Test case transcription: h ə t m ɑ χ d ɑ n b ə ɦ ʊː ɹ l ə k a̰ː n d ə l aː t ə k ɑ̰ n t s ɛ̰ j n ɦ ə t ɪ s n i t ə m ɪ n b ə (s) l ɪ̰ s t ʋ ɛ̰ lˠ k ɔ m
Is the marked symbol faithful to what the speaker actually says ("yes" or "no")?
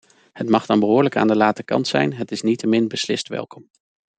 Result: yes